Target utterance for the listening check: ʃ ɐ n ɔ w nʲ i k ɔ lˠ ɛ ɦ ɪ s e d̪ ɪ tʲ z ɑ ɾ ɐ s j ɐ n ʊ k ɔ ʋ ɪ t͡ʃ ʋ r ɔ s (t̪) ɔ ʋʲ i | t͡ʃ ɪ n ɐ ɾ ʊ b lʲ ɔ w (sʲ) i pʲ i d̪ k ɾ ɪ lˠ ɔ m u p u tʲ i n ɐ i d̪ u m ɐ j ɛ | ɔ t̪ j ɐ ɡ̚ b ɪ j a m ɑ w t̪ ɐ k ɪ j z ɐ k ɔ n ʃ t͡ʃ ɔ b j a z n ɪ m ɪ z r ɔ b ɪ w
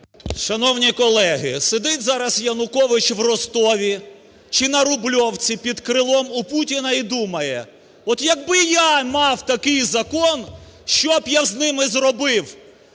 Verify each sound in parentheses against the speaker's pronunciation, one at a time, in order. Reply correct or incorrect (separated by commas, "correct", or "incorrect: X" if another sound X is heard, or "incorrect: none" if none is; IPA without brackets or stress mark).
correct, incorrect: t͡sʲ